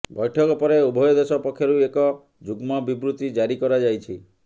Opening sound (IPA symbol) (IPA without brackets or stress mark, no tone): b